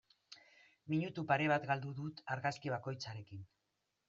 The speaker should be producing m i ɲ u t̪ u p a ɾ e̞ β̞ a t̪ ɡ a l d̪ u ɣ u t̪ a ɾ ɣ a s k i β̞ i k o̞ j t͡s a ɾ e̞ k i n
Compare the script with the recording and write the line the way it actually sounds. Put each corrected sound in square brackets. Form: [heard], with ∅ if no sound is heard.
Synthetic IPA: m i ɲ u t̪ u p a ɾ e̞ β̞ a t̪ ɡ a l d̪ u [ð] u t̪ a ɾ ɣ a s k i β̞ [a] k o̞ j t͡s a ɾ e̞ k i n